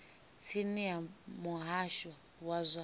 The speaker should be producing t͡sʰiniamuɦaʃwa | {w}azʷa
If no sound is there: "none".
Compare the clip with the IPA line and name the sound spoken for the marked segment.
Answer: w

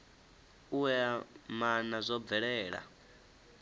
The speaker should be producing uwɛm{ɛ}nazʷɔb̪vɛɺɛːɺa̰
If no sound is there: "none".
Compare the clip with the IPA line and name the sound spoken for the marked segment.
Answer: a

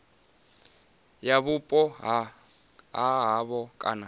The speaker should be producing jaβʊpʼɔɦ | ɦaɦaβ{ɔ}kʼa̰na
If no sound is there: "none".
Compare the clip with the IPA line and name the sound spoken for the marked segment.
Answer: ɔ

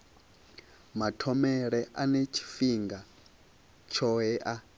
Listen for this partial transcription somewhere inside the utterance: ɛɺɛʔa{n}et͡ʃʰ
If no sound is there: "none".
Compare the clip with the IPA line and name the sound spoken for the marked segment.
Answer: n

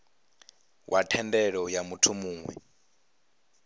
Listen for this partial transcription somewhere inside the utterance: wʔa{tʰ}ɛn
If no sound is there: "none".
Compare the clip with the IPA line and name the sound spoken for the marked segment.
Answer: tʰ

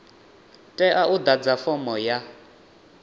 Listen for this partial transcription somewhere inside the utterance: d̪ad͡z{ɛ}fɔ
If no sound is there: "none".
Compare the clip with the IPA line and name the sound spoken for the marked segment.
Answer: a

